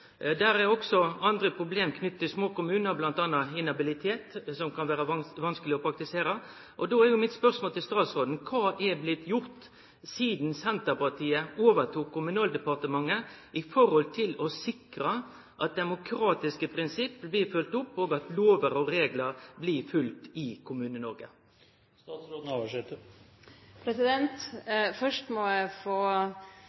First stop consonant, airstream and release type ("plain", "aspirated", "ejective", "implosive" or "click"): plain